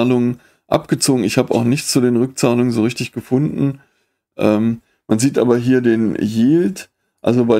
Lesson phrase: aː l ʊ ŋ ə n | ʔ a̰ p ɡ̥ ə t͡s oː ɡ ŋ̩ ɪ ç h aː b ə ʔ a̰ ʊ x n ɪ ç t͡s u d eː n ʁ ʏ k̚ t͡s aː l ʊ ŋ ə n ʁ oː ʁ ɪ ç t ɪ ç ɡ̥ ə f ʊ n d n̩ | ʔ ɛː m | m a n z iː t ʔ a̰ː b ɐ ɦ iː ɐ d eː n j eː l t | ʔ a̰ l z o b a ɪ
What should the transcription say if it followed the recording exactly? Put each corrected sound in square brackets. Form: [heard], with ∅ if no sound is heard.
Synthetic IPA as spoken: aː l ʊ ŋ ə n | ʔ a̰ p ɡ̥ ə t͡s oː ɡ ŋ̩ ɪ ç h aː b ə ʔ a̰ ʊ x n ɪ ç t͡s u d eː n ʁ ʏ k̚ t͡s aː l ʊ ŋ ə n [z] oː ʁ ɪ ç t ɪ ç ɡ̥ ə f ʊ n d n̩ | ʔ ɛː m | m a n z iː t ʔ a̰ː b ɐ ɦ iː ɐ d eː n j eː l t | ʔ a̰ l z o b a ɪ